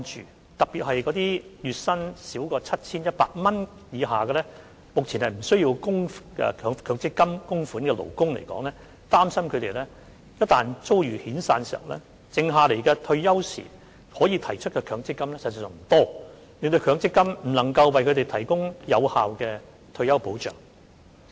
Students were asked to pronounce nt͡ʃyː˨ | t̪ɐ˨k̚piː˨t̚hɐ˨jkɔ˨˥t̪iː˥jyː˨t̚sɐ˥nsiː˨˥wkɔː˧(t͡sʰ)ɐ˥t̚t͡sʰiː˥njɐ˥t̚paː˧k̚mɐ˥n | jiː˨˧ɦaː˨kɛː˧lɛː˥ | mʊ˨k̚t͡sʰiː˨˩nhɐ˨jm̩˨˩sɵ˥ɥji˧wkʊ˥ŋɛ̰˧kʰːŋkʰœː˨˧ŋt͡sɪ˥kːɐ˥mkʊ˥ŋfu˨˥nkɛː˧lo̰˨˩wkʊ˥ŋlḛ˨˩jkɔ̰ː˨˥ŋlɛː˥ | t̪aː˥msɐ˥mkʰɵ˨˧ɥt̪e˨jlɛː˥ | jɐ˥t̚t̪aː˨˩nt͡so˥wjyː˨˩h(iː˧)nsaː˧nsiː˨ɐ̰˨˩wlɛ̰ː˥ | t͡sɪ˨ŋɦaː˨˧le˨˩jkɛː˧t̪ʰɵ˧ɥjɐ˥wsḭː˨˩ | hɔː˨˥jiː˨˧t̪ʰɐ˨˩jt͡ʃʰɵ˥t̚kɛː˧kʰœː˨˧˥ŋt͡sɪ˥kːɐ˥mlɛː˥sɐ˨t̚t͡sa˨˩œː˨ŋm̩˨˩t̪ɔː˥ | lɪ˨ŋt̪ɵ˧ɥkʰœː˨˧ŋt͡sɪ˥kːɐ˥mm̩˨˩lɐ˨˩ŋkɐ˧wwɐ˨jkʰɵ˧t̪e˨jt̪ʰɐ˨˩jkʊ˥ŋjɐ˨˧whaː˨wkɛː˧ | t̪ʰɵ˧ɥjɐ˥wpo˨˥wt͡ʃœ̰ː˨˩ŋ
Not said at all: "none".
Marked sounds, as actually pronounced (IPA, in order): t͡sʰ, iː˨˥

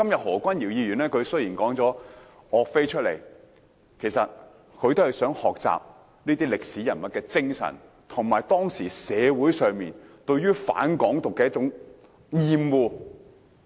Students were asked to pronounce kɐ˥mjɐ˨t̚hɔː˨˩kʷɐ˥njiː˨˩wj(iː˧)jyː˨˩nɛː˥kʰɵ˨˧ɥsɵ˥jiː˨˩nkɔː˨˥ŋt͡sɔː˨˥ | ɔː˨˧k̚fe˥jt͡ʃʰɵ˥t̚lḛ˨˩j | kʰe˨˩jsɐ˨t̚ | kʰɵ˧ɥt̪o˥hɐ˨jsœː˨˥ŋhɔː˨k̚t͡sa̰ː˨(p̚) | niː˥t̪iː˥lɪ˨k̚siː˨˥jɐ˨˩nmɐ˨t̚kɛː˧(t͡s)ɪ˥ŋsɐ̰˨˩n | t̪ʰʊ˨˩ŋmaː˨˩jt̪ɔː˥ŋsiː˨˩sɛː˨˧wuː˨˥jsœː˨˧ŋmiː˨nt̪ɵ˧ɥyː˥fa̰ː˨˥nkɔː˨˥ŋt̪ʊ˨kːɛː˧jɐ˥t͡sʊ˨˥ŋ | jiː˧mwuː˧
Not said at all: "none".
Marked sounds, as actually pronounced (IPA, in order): iː˧, p̚, t͡s

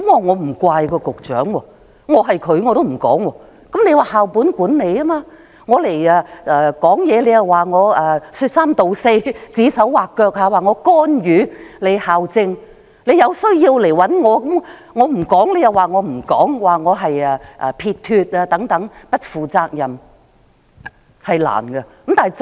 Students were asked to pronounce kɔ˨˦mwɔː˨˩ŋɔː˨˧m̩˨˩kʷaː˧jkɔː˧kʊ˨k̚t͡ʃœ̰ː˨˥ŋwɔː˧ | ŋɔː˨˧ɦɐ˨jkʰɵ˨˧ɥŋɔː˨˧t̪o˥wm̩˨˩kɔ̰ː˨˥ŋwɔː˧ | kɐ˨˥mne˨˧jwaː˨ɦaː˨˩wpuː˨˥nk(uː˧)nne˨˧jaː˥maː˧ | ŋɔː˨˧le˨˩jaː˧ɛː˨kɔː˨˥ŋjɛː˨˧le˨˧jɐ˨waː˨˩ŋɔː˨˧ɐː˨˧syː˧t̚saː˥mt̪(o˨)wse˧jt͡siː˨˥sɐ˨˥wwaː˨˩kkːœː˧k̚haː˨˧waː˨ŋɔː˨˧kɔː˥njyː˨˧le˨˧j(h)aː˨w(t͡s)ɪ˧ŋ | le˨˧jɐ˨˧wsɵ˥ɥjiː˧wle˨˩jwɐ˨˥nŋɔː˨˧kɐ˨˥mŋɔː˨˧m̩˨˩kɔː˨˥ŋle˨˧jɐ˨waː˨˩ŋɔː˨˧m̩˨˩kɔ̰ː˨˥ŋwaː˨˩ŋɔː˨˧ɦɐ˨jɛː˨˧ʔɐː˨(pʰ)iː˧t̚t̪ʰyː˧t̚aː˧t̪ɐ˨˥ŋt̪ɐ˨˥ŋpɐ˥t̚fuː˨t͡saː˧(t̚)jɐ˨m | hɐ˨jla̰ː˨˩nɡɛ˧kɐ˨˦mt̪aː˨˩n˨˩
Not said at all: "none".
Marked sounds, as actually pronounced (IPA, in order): uː˨˥, o˨, h, t͡s, pʰ, k̚

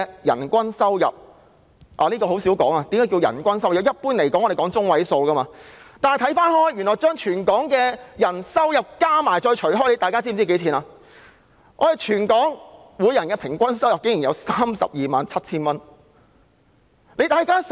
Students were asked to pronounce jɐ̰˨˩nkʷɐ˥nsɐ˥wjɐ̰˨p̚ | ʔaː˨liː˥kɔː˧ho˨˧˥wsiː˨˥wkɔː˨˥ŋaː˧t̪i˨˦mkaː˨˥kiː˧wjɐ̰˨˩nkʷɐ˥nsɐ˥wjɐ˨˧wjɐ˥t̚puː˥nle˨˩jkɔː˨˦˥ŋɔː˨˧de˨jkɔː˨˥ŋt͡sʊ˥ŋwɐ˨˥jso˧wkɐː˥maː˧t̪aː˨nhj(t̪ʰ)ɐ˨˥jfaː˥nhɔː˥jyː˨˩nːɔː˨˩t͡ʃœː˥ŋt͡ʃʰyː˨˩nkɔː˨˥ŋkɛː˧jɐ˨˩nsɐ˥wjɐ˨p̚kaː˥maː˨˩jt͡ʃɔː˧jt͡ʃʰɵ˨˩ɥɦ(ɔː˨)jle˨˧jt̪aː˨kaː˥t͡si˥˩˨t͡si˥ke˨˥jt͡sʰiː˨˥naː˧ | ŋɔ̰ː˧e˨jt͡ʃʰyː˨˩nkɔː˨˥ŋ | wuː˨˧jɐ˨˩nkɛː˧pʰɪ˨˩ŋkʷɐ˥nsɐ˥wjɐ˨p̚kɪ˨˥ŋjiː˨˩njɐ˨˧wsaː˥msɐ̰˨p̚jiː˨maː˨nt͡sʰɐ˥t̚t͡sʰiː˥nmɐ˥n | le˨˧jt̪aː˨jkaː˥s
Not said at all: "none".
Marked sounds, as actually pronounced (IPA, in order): t̪ʰ, ɔː˥

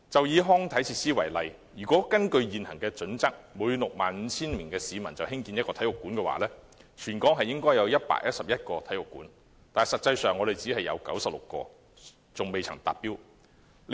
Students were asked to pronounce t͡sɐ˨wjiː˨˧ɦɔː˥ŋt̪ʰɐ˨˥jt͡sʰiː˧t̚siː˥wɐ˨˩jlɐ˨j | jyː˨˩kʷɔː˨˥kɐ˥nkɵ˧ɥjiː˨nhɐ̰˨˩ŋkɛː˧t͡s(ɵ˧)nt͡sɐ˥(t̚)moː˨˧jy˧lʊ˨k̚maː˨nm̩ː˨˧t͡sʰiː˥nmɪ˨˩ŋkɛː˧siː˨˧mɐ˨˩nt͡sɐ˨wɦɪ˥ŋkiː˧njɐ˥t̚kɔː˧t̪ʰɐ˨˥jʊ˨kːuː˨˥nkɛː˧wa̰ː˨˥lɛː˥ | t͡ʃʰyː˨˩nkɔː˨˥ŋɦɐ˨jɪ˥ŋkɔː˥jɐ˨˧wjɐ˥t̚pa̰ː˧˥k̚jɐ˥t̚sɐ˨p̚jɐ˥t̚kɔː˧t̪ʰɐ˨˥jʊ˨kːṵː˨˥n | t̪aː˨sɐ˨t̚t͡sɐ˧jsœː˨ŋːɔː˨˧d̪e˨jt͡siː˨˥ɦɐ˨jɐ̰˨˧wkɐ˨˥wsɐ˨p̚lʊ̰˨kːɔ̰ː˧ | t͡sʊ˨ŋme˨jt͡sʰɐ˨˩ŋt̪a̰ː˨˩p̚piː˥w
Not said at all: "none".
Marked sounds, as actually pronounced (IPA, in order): ɵ˨˥, k̚

